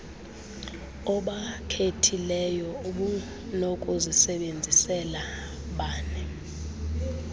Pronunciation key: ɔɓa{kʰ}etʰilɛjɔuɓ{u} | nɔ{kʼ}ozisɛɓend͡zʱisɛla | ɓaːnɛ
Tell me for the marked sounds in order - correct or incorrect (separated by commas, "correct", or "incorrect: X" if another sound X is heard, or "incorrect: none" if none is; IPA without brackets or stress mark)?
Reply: correct, correct, correct